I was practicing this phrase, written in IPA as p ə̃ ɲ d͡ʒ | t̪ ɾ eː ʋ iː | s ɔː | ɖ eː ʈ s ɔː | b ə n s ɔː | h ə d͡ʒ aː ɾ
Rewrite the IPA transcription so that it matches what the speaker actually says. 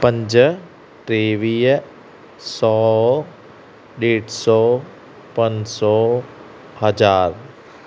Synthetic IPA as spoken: p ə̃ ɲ d͡ʒ | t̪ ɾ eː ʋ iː | s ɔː | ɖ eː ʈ s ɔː | p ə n s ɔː | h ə d͡ʒ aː ɾ